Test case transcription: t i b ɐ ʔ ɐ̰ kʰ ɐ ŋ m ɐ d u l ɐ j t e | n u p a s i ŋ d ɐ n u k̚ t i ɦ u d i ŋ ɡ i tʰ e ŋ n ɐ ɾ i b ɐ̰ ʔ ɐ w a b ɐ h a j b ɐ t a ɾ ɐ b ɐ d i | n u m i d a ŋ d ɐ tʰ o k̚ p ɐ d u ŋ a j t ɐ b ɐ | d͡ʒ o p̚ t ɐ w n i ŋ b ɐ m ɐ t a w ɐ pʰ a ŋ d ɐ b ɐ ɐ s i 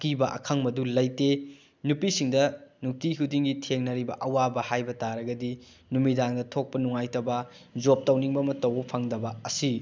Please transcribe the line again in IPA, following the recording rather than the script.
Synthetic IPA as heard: k i b ɐ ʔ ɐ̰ kʰ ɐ ŋ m ɐ d u l ɐ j t e | n u p i s i ŋ d ɐ n u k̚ t i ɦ u d i ŋ ɡ i tʰ e ŋ n ɐ ɾ i b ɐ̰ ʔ ɐ w a b ɐ h a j b ɐ t a ɾ ɐ ɡ ɐ d i | n u m i d a ŋ d ɐ tʰ o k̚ p ɐ n u ŋ a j t ɐ b ɐ | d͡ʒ o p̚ t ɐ w n i ŋ b ɐ m ɐ t ɐ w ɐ pʰ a ŋ d ɐ b ɐ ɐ s i